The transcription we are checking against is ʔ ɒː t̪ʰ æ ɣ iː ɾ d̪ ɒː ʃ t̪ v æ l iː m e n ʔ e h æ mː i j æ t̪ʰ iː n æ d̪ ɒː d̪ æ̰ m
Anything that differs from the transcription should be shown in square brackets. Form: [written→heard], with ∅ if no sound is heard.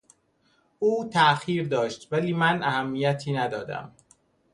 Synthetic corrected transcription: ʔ [ɒː→uː] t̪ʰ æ [ɣ→x] iː ɾ d̪ ɒː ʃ t̪ v æ l iː m [e→æ] n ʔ [e→æ] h æ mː i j æ t̪ʰ iː n æ d̪ ɒː d̪ æ̰ m